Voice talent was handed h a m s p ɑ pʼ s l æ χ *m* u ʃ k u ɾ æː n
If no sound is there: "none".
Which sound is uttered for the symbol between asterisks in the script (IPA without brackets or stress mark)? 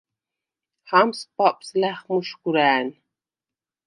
m